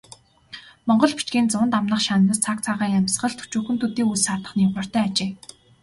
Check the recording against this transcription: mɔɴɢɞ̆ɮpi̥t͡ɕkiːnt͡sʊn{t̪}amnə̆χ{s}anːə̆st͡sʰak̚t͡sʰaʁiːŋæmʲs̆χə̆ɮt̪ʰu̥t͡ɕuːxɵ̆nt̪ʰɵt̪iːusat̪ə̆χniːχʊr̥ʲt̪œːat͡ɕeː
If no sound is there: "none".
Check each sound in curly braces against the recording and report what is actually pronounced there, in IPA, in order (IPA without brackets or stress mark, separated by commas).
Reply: t̪, ʃ